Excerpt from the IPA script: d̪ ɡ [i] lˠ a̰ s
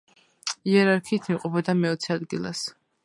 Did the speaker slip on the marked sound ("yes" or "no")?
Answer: no